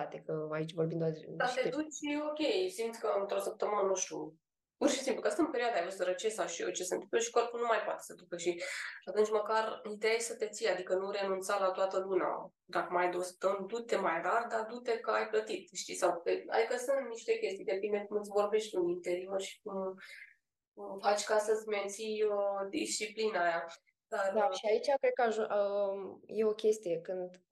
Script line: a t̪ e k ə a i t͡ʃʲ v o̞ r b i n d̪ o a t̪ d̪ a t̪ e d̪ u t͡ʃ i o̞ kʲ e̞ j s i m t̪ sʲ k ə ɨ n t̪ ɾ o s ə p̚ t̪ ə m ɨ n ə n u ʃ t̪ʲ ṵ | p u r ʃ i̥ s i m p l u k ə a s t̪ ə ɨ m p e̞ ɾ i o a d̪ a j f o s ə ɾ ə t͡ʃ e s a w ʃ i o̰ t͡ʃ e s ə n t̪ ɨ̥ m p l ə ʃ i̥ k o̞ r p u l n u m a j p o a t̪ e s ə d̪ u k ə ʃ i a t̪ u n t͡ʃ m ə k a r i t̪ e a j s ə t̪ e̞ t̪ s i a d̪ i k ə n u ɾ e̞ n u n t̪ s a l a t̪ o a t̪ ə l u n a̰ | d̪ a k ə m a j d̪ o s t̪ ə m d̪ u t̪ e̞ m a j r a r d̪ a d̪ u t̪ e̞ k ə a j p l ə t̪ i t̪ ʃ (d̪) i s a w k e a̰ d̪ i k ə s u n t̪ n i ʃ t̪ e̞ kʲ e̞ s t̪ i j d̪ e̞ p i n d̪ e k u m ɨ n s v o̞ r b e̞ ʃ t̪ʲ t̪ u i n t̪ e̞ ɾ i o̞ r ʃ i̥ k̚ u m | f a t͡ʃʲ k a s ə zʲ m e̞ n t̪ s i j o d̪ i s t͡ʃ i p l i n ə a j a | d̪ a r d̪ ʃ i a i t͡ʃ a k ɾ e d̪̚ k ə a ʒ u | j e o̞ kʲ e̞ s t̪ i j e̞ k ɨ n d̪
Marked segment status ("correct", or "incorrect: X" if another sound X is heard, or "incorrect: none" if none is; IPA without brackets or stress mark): incorrect: t̪